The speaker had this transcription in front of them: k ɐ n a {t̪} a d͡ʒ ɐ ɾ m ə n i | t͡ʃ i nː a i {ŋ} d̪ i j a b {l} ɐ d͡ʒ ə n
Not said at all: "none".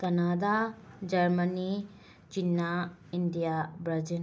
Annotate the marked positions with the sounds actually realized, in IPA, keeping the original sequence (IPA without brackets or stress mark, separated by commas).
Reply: d̪, n, ɾ